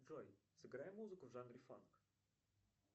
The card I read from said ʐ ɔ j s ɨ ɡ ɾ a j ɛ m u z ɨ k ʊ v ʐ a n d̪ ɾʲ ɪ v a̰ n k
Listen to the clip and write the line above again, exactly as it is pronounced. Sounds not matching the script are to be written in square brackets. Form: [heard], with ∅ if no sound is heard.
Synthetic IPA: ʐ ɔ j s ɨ ɡ ɾ a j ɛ m u z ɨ k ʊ v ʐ a n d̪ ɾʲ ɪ [f] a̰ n k